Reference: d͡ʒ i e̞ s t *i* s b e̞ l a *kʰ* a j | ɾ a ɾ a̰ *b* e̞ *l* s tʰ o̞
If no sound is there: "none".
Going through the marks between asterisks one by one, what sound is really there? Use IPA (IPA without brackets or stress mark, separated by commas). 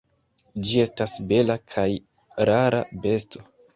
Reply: a, kʰ, b, none